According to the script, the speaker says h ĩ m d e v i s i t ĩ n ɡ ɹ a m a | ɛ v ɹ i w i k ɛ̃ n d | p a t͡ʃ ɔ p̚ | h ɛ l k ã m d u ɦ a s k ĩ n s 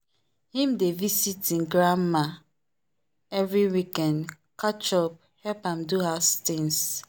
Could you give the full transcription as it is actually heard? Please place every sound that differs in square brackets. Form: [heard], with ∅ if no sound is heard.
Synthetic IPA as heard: h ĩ m d e v i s i t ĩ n ɡ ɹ a m a | ɛ v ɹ i w i k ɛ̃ n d | [k] a t͡ʃ ɔ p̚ | h ɛ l [p] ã m d u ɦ a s [t] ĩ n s